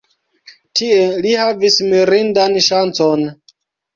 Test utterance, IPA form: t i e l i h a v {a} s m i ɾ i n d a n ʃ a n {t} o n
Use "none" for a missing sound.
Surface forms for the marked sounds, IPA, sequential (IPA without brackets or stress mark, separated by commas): i, t͡s